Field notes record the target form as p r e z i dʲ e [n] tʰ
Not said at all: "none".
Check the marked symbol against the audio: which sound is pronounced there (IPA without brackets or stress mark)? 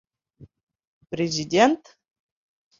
n